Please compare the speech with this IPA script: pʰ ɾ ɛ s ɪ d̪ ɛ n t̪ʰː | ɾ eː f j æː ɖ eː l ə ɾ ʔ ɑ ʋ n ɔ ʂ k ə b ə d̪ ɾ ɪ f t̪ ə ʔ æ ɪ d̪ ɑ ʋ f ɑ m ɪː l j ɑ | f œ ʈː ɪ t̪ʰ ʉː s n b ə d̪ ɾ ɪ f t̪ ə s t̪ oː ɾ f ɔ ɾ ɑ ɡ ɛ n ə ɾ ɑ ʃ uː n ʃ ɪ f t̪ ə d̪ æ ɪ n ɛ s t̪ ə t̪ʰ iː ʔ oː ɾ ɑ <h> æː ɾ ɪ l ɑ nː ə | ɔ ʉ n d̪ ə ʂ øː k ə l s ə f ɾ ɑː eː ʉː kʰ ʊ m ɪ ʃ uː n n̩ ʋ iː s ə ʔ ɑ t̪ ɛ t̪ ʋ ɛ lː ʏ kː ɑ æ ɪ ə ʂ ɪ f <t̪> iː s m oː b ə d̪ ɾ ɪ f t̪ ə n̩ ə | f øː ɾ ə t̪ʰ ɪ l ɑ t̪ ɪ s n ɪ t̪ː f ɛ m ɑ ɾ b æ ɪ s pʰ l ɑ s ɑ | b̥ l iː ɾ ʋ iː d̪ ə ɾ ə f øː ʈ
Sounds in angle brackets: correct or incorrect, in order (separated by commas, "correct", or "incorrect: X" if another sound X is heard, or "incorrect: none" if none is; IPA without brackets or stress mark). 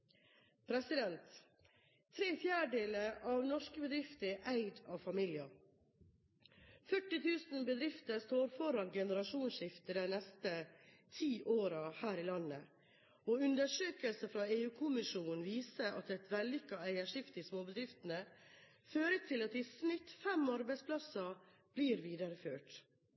correct, correct